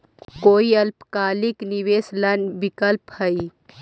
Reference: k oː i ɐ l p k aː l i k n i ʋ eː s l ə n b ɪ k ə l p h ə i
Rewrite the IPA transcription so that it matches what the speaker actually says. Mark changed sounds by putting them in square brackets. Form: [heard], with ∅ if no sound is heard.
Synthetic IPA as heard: k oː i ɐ l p k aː l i k n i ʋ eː s l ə n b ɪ k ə l p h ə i

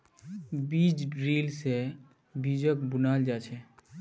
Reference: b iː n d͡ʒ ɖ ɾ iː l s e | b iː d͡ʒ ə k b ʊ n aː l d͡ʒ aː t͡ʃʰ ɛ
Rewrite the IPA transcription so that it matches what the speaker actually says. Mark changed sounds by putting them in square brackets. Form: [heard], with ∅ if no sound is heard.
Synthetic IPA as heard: b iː [∅] d͡ʒ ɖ ɾ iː l s e | b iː d͡ʒ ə k b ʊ n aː l d͡ʒ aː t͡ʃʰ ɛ

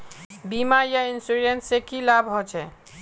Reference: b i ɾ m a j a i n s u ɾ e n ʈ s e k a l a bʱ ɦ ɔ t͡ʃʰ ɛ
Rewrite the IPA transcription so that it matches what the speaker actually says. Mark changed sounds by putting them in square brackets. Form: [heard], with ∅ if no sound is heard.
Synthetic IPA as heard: b i [∅] m a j a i n s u ɾ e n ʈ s e k [i] l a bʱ ɦ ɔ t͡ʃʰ ɛ

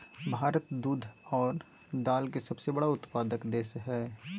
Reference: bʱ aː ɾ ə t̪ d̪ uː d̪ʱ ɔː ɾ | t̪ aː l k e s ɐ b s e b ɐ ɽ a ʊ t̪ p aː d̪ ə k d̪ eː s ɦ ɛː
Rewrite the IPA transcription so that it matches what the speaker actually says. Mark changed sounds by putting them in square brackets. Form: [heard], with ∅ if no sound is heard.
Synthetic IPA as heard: bʱ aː ɾ ə t̪ d̪ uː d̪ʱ ɔː ɾ | [d̪] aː l k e s ɐ b s e b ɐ ɽ a ʊ t̪ p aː d̪ ə k d̪ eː s ɦ ɛː

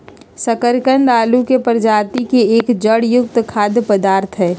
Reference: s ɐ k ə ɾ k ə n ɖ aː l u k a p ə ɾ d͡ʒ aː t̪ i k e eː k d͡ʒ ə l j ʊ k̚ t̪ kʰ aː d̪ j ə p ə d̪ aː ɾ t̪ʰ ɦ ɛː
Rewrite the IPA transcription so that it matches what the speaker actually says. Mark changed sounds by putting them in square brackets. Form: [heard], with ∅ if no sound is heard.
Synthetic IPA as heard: s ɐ k ə ɾ k ə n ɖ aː l u k [e] p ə ɾ d͡ʒ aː t̪ i k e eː k d͡ʒ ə [ɽ] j ʊ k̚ t̪ kʰ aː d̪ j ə p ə d̪ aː ɾ t̪ʰ ɦ ɛː

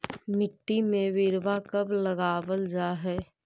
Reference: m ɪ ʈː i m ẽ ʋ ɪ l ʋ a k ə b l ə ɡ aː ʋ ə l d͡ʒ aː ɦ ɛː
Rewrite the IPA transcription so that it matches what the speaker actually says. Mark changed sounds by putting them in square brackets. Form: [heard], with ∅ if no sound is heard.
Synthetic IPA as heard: m ɪ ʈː i m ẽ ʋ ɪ [ɾ] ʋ a k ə b l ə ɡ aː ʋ ə l d͡ʒ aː ɦ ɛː

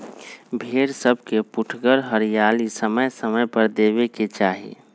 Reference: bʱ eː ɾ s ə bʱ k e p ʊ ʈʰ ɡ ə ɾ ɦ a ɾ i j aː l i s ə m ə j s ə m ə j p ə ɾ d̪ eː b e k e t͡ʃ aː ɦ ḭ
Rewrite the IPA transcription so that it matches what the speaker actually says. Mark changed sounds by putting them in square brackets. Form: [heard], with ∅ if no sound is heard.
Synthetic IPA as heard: bʱ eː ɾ s ə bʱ k e p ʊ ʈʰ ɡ ə ɾ ɦ [ə] ɾ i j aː l i s ə m ə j s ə m ə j p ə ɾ d̪ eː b e k e t͡ʃ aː ɦ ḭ

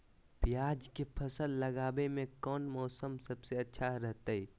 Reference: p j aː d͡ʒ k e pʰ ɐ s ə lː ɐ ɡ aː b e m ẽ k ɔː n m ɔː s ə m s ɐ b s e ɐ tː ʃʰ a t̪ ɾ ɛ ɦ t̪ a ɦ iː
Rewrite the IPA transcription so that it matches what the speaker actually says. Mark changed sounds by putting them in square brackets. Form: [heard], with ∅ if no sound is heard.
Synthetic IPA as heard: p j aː d͡ʒ k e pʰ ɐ s ə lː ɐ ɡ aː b e m ẽ k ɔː n m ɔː s ə m s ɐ b s e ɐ tː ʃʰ a [∅] ɾ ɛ ɦ t̪ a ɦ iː

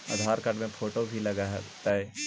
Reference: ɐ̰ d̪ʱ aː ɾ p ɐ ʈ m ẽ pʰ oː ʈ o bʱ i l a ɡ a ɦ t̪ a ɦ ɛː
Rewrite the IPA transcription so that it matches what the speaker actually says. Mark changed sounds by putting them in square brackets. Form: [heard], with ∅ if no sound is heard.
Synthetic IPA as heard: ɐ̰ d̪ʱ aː ɾ [k] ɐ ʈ m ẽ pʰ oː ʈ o bʱ i l [ɐ] ɡ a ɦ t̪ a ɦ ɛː

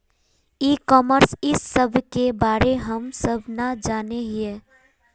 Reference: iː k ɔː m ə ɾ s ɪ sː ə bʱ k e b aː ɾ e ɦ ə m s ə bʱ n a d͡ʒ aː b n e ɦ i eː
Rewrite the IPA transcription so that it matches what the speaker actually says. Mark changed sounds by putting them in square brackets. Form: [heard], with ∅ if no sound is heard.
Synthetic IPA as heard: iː k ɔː m ə ɾ s ɪ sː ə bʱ k e b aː ɾ e ɦ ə m s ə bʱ n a d͡ʒ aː [∅] n e ɦ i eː

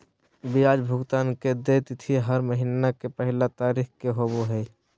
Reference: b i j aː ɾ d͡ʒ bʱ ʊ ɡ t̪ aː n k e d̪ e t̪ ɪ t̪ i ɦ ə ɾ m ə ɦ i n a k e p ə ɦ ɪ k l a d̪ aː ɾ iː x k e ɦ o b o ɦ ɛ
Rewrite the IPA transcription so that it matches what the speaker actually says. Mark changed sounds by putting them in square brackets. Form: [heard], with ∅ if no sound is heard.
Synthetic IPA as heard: b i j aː [∅] d͡ʒ bʱ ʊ ɡ t̪ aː n k e d̪ e t̪ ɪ [t̪ʰ] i ɦ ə ɾ m ə ɦ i n a k e p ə ɦ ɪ [∅] l a [t̪] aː ɾ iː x k e ɦ o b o ɦ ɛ

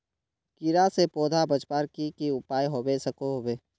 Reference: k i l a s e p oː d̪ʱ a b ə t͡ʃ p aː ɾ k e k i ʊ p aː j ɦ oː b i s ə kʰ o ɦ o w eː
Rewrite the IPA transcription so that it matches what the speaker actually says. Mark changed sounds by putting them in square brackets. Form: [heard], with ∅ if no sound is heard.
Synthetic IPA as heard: k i [ɾ] a s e p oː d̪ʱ a b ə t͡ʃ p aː ɾ k [i] k i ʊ p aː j ɦ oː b [e] s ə [k] o ɦ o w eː

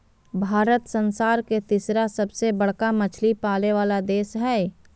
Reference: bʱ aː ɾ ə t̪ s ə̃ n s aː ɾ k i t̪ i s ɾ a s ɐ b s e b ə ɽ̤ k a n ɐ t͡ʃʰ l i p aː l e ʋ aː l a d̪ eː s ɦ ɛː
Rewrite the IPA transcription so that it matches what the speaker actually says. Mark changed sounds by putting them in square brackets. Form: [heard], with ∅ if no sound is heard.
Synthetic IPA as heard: bʱ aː ɾ ə t̪ s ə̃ n s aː ɾ k [e] t̪ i s ɾ a s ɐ b s e b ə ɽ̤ k a [m] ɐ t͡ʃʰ l i p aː l e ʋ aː l a d̪ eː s ɦ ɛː

